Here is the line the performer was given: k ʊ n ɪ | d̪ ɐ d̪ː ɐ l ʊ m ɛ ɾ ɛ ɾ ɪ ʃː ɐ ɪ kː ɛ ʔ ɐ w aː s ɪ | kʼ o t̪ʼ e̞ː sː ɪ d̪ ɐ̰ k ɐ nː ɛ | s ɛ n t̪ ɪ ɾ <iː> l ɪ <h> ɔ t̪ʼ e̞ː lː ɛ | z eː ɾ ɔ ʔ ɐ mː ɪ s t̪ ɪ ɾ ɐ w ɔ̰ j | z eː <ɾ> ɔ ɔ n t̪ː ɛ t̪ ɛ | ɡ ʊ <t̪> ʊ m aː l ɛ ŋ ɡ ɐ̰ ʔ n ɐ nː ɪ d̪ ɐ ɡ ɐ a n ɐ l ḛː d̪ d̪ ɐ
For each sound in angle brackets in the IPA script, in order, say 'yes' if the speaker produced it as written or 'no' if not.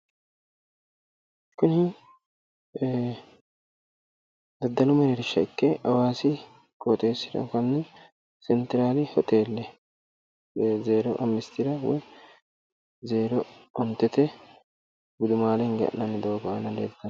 no, yes, yes, no

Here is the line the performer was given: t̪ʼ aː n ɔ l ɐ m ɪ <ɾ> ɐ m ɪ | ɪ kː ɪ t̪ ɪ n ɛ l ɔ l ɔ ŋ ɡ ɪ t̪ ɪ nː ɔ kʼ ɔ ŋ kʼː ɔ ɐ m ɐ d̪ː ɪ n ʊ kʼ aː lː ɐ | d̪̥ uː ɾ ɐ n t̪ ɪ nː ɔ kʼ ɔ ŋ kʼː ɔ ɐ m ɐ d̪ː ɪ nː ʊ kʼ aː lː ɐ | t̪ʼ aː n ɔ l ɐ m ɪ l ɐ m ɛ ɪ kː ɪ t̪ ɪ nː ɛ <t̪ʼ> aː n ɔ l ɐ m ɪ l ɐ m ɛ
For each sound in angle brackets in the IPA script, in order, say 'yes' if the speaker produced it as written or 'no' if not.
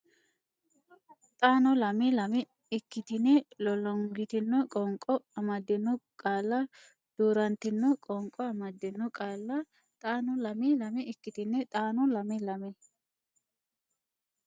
no, yes

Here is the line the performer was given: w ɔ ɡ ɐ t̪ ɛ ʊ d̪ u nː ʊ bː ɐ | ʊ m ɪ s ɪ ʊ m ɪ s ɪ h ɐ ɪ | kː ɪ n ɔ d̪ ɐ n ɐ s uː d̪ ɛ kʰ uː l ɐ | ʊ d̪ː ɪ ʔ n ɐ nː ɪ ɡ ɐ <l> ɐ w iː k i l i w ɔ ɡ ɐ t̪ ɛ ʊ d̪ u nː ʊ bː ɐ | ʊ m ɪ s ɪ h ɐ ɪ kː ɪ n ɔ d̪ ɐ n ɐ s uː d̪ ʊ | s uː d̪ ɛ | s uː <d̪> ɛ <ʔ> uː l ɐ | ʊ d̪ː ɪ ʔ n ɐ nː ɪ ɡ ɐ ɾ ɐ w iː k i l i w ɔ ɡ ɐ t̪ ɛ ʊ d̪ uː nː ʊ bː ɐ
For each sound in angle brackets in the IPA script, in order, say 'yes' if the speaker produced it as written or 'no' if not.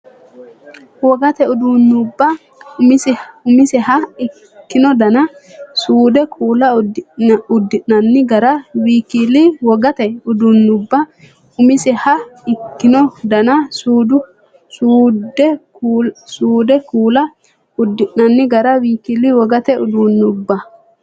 no, yes, no

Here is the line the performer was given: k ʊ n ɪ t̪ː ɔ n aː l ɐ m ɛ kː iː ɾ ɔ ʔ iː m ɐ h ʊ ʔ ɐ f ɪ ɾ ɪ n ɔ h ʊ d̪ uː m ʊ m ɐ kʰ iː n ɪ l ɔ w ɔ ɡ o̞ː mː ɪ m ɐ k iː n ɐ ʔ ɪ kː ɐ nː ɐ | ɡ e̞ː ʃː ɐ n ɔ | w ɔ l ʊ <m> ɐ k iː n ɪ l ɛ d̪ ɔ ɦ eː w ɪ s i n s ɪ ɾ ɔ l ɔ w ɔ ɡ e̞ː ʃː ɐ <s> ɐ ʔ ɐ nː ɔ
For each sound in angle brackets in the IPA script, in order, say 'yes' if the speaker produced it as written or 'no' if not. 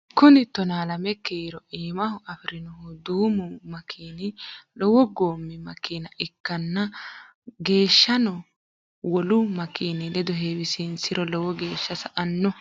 yes, yes

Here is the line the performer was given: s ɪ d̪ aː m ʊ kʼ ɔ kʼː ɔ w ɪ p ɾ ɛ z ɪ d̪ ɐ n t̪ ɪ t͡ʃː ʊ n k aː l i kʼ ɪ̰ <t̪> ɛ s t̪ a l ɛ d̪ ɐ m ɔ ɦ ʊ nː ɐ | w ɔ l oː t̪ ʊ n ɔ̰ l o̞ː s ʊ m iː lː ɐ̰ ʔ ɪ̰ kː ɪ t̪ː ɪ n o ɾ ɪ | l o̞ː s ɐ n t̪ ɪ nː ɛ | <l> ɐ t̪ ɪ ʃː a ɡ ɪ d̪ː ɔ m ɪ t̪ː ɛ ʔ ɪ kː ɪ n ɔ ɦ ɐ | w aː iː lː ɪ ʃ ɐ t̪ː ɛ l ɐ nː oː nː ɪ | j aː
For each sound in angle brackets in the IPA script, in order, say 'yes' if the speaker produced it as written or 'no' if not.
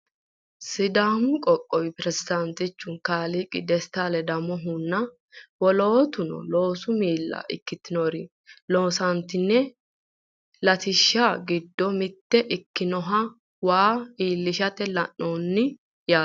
no, yes

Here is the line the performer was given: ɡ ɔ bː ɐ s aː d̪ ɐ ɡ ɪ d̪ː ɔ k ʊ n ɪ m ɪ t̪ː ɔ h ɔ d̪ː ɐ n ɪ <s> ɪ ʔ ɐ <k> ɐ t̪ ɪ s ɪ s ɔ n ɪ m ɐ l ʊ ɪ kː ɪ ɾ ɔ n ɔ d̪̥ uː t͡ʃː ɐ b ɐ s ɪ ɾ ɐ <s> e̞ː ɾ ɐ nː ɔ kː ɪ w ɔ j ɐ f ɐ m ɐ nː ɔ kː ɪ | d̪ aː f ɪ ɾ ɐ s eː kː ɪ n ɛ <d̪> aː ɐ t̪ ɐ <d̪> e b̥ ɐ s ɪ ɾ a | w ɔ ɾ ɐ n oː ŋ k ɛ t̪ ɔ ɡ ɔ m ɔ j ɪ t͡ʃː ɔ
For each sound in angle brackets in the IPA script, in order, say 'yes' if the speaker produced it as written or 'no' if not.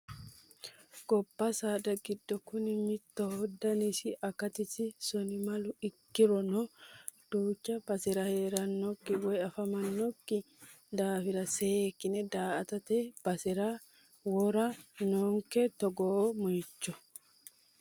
yes, yes, no, yes, no

